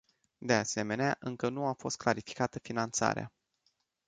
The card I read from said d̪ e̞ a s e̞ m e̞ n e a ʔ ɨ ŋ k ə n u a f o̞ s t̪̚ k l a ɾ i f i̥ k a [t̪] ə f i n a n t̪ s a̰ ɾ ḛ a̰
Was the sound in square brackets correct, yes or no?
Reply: yes